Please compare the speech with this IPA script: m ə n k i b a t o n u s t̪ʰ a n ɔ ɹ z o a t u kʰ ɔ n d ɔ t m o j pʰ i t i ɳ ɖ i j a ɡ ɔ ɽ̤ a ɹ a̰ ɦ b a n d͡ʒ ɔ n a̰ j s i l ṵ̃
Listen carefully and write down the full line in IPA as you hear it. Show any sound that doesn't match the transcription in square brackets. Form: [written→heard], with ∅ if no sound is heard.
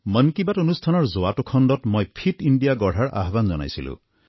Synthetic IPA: m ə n k i b a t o n u s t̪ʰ a n ɔ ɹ z o a t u kʰ ɔ n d ɔ t m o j pʰ i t i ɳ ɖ i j a ɡ ɔ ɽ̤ a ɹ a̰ ɦ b a n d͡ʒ ɔ n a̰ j s i l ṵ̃